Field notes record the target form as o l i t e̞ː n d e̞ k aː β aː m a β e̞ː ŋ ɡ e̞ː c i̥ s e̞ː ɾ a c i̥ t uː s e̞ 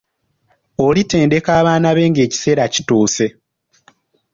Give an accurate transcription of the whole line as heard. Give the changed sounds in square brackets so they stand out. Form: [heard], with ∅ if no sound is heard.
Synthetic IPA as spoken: o l i t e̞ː n d e̞ k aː β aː [n] a β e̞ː ŋ ɡ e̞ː c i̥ s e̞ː ɾ a c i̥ t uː s e̞